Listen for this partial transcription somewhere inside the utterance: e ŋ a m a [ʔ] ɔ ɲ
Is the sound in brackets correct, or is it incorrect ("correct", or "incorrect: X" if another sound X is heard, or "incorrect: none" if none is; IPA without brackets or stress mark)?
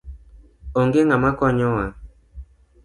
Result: incorrect: k